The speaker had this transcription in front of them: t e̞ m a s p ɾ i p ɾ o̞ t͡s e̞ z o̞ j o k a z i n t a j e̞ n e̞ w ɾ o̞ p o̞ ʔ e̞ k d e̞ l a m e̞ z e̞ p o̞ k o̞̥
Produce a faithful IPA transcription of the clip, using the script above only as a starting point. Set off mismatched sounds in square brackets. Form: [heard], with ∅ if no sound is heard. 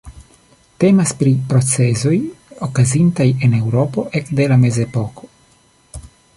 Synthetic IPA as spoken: t e̞ m a s p ɾ i p ɾ o̞ t͡s e̞ z o̞ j o k a z i n t a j e̞ n e̞ w ɾ o̞ p o̞ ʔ e̞ k d e̞ l a m e̞ z e̞ p o̞ k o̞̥